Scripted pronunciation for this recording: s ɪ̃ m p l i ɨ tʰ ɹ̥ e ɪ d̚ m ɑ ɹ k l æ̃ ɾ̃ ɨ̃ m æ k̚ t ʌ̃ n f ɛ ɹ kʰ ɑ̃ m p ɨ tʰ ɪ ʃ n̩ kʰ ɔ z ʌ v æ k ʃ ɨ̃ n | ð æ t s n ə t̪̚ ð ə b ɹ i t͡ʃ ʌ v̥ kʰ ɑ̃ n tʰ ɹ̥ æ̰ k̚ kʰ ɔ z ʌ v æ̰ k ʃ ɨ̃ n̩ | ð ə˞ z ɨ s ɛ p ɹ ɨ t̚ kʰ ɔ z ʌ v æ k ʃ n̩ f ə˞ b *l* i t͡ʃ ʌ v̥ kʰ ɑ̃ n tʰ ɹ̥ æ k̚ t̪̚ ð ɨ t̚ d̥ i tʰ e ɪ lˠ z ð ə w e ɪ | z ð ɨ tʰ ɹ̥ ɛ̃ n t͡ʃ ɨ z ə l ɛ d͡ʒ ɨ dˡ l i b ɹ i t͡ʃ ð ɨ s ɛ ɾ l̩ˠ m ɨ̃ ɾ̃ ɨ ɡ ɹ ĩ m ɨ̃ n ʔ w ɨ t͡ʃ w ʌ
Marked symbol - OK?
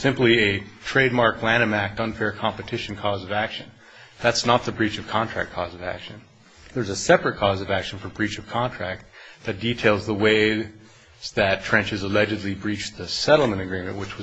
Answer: no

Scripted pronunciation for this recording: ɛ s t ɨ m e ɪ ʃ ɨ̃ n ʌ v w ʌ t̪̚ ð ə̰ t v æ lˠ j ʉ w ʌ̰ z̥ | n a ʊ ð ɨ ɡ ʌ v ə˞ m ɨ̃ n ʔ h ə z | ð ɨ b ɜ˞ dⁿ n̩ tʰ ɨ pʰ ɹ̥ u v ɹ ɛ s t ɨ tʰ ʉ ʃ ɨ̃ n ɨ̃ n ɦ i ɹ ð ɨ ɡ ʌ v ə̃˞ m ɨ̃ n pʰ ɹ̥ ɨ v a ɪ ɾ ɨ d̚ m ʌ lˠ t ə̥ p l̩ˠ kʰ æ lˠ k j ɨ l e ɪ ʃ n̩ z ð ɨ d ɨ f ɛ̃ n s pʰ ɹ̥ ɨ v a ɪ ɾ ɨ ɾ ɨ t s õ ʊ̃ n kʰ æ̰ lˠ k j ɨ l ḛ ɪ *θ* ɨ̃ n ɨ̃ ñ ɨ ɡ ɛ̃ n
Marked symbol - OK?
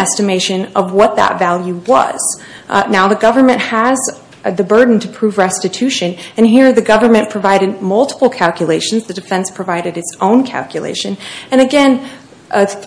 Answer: no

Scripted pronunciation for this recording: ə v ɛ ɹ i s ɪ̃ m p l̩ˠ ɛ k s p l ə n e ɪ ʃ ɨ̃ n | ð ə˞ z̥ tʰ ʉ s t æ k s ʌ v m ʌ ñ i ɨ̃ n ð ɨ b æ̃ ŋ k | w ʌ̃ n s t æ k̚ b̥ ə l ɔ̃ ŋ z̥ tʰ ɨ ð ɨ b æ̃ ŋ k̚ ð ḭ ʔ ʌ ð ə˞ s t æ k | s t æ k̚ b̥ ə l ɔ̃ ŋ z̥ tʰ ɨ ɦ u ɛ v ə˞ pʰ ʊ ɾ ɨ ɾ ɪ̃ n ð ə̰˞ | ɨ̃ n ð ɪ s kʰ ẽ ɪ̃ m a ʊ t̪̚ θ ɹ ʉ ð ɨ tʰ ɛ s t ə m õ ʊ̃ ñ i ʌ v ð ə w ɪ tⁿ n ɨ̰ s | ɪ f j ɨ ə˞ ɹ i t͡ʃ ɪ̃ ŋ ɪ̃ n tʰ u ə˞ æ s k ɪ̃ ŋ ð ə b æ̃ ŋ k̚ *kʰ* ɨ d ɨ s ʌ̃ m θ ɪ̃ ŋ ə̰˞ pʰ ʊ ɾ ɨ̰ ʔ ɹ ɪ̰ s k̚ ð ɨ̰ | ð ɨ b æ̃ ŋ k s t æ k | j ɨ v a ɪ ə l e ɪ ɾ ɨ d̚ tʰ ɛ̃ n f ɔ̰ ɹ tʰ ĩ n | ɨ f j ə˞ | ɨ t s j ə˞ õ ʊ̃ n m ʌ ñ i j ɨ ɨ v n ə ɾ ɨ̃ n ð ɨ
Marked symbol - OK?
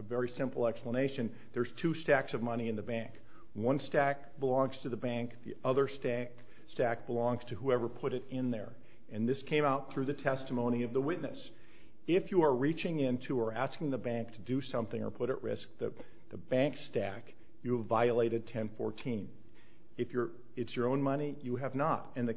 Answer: no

